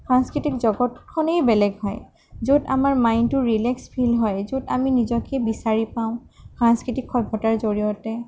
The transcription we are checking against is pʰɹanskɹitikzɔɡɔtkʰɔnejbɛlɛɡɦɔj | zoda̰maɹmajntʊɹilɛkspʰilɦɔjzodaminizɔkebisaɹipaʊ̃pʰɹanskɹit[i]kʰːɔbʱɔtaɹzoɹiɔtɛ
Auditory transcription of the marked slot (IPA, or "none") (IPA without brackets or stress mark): i